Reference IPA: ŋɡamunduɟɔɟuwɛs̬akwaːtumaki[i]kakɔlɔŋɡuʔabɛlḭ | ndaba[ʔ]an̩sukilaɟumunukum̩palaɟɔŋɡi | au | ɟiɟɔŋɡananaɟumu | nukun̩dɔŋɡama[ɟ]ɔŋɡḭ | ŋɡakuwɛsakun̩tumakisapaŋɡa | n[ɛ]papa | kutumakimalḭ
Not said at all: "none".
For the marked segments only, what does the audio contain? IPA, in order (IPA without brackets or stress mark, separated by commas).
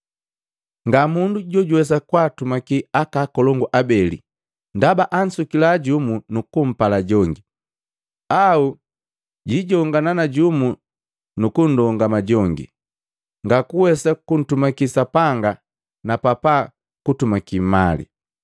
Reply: a, ʔ, ɟ, a